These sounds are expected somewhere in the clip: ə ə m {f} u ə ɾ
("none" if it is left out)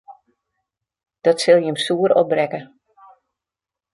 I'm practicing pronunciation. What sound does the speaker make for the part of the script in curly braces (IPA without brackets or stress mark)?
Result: s